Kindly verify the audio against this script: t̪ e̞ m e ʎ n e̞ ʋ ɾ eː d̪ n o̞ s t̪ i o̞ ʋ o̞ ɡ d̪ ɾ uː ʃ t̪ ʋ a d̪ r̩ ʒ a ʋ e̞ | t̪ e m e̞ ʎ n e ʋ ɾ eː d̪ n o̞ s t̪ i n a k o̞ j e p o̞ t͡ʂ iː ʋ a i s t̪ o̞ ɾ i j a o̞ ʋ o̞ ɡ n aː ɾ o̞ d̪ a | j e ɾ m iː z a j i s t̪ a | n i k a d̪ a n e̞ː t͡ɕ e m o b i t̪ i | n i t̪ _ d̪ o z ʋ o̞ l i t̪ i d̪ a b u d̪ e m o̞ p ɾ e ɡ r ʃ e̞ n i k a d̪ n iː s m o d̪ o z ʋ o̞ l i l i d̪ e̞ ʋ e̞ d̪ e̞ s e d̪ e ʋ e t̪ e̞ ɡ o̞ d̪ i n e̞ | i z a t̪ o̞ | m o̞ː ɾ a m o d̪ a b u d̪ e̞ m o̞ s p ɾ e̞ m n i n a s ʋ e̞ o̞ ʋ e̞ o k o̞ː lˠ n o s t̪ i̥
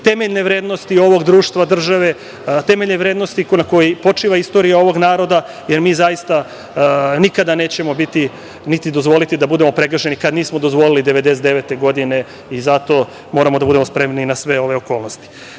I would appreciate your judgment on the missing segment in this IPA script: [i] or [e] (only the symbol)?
i